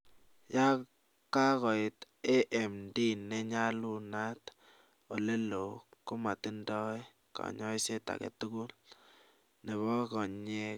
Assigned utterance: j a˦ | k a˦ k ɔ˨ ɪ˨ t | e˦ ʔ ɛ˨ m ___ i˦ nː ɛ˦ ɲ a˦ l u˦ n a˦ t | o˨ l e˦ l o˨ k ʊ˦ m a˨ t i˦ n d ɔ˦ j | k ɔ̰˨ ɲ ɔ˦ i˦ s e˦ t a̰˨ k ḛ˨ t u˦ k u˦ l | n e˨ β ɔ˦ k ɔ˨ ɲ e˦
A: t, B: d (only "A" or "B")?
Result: B